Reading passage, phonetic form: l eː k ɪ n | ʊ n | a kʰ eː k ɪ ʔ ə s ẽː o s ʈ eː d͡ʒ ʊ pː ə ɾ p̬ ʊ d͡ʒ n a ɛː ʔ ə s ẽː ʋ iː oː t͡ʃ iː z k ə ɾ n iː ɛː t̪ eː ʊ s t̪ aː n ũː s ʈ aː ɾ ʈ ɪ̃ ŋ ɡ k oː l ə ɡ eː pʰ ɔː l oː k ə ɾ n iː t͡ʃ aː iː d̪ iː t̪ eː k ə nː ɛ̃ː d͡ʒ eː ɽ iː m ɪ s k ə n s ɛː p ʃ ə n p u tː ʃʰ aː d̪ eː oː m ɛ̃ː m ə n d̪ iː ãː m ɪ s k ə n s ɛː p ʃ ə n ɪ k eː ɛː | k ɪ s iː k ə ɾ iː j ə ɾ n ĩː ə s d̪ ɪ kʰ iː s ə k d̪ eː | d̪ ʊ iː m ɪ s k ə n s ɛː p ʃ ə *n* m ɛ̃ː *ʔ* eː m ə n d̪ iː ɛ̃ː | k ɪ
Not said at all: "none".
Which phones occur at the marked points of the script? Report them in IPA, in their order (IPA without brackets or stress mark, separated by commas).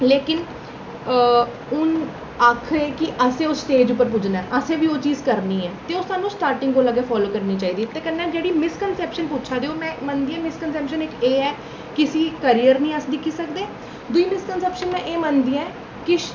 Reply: n, ʔ